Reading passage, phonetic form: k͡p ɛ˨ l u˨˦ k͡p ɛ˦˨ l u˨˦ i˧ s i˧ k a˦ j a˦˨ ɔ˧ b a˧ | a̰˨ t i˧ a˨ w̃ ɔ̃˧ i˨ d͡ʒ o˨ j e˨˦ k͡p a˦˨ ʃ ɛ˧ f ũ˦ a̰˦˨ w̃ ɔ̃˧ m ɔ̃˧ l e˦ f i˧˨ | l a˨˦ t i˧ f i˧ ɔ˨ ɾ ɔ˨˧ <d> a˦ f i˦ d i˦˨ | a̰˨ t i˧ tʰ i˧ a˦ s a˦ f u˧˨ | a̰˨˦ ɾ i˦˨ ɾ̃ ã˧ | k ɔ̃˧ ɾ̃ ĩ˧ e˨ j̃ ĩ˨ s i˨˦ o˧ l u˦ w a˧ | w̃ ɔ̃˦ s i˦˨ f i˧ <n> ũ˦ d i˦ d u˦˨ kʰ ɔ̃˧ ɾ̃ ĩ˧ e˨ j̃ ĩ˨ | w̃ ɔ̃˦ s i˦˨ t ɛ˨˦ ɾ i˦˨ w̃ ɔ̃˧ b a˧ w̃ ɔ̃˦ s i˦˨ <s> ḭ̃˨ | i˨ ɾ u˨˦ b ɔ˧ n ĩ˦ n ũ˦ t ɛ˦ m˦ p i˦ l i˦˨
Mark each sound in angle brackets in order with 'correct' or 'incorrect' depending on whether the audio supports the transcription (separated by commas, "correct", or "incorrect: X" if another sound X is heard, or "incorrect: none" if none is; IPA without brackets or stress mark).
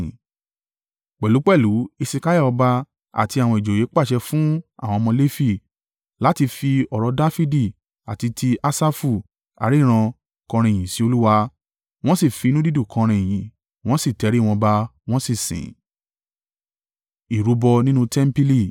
correct, correct, correct